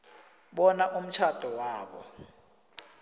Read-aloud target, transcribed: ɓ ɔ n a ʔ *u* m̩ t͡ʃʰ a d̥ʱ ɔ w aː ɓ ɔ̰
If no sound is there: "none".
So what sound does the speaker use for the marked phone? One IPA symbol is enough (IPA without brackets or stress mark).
u